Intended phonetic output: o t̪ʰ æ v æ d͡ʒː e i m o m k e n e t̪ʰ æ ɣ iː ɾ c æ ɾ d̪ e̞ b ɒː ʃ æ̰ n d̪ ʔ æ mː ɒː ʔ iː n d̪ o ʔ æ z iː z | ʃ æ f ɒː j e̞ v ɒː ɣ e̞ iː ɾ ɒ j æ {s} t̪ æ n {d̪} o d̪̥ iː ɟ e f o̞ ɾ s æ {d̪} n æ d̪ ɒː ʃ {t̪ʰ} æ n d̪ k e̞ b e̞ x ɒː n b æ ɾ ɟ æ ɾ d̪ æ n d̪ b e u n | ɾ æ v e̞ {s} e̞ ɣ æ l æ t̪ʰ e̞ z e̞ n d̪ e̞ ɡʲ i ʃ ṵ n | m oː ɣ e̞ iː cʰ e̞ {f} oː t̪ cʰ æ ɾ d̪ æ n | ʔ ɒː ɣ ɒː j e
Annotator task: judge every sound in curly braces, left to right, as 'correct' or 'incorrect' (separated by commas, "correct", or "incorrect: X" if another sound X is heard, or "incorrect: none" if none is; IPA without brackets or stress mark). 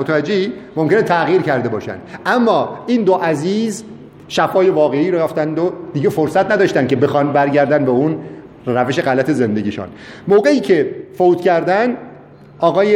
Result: incorrect: f, correct, incorrect: t̪, incorrect: t̪, incorrect: ʃ, correct